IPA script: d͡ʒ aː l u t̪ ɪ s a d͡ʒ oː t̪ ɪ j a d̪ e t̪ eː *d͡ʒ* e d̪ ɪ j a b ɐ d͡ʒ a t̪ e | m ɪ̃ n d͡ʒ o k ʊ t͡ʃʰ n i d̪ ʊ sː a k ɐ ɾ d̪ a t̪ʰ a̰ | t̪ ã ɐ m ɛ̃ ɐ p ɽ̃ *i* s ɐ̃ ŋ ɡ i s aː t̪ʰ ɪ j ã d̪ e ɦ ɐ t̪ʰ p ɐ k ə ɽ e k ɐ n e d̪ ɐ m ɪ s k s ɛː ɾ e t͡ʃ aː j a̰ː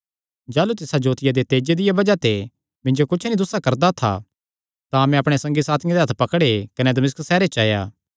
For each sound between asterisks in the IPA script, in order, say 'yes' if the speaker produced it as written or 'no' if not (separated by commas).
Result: yes, no